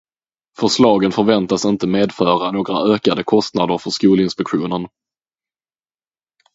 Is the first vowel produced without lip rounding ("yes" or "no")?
no